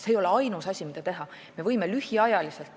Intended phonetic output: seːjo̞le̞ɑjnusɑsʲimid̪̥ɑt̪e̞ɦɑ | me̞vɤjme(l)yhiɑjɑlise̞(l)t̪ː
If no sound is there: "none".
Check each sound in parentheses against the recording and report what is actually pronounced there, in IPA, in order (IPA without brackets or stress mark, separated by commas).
l, l